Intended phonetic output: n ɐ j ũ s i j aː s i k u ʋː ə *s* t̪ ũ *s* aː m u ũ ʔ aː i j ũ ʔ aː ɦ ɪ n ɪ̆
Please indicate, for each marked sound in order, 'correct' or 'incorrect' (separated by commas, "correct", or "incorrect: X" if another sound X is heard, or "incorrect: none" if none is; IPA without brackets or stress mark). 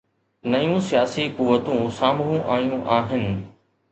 incorrect: none, correct